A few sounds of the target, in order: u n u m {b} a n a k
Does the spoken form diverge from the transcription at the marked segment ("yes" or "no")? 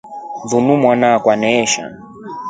yes